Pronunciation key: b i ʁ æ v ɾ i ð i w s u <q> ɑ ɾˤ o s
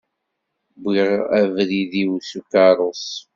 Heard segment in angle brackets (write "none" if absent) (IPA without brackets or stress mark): k